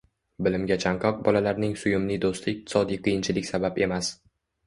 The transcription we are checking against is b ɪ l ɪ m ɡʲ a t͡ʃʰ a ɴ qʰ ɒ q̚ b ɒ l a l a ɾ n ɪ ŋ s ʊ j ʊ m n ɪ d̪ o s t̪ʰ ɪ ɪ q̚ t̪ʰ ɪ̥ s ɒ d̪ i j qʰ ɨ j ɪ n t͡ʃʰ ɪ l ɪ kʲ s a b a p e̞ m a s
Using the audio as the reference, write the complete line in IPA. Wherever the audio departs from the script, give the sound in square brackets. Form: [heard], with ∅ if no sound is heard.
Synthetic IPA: b ɪ l ɪ m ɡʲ a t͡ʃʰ a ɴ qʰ ɒ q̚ b ɒ l a l a ɾ n ɪ ŋ s ʊ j ʊ m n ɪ d̪ o s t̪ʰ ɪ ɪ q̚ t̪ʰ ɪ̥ s ɒ d̪ i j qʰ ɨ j ɪ n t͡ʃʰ ɪ l ɪ kʲ s a b a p e̞ m a s